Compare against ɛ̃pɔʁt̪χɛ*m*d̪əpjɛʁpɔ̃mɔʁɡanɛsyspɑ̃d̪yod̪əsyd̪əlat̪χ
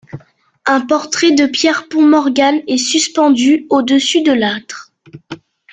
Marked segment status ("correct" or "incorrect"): incorrect